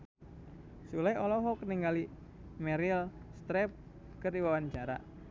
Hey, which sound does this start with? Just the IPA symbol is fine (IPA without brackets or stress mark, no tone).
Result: s